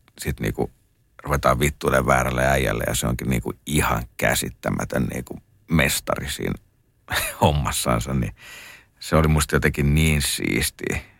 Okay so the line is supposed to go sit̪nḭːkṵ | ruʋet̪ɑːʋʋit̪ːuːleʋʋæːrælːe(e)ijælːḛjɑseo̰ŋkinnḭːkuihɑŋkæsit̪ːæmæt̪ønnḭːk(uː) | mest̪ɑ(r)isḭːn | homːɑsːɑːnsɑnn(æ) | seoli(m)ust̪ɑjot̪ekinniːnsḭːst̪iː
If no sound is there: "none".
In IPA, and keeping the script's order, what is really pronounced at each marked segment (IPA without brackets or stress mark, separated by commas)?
æ, u, r, i, m